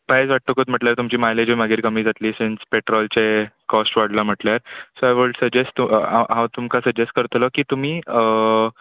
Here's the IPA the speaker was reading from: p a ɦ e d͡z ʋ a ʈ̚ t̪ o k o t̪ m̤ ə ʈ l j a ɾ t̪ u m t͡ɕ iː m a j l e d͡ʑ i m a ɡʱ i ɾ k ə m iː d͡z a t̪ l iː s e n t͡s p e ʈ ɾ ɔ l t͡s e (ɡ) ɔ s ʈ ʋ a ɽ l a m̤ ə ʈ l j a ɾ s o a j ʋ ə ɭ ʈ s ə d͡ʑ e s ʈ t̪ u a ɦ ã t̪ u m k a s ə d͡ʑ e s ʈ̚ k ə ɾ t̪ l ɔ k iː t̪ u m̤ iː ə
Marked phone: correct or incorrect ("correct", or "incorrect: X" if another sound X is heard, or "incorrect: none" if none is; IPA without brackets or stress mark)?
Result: incorrect: k